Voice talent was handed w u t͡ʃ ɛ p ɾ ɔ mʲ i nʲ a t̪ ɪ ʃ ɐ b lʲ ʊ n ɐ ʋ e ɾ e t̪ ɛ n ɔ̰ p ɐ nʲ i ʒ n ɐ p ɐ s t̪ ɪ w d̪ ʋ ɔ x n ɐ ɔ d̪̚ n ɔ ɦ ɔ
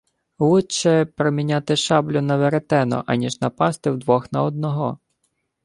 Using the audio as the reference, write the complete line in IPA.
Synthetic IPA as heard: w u t͡ʃ ɛ p ɾ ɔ mʲ i nʲ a t̪ ɪ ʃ ɑ b lʲ ʊ n ɐ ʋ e ɾ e t̪ ɛ n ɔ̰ ʔ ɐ nʲ i ʒ n ɐ p ɑ s t̪ ɪ w d̪ ʋ ɔ x n ɐ ɔ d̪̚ n ɔ ɦ ɔ